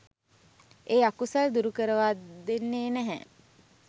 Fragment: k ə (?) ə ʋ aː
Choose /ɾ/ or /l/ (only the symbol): ɾ